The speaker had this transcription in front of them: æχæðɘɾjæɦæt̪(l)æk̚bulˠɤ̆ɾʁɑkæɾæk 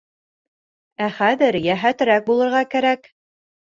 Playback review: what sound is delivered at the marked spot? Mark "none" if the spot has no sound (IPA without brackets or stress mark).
ɾ